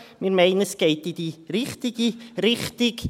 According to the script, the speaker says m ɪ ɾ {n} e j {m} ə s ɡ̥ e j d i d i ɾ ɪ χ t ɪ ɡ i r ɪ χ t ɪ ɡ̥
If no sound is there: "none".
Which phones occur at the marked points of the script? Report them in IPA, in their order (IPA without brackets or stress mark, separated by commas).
m, n